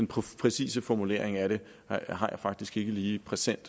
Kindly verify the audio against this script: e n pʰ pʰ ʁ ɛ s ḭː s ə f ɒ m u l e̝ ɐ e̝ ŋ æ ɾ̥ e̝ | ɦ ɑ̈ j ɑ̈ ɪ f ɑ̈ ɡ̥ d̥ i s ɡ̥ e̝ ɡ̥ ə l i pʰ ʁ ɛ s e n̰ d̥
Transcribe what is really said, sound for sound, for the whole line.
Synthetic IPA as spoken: e n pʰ pʰ ʁ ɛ s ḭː s ə f ɒ m u l e̝ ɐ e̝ ŋ æ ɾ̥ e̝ | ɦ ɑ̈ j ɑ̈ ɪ f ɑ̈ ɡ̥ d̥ i s ɡ̥ e̝ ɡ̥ ə l iː pʰ ʁ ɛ s e n̰ d̥